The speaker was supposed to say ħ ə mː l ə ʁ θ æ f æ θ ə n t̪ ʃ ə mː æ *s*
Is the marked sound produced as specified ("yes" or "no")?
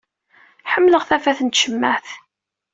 no